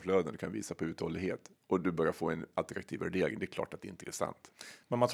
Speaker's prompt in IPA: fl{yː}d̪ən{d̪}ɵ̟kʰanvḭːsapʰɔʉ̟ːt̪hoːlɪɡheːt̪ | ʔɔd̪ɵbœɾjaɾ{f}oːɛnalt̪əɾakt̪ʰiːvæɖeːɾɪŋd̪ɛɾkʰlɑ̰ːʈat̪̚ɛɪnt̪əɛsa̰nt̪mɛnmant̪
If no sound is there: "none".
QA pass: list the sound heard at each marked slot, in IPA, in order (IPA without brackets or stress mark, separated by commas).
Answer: øː, d̪, f